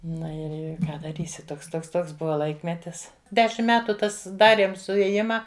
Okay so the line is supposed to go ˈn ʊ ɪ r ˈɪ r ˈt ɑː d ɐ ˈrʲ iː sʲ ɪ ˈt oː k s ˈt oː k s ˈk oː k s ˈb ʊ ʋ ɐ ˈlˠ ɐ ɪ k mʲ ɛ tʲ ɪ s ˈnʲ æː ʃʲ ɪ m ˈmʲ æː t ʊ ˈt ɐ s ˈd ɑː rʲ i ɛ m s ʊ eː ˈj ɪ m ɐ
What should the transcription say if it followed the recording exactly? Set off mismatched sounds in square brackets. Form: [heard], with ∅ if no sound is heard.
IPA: ˈn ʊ ɪ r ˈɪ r [ˈk] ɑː d ɐ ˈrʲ iː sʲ ɪ ˈt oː k s ˈt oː k s [ˈt] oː k s ˈb ʊ ʋ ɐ ˈlˠ ɐ ɪ k mʲ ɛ tʲ ɪ s [ˈdʲ] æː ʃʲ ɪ m ˈmʲ æː t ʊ ˈt ɐ s ˈd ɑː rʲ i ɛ m s ʊ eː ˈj ɪ m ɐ